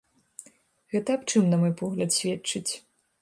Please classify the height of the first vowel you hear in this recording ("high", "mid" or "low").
mid